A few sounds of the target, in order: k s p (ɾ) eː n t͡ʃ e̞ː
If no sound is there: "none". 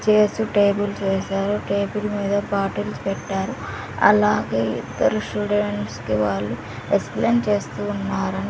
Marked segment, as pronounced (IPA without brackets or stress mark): l